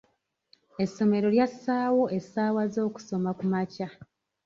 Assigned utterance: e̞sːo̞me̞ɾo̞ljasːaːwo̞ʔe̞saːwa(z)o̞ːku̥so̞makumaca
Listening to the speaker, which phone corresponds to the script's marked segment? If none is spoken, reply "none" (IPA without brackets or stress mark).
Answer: z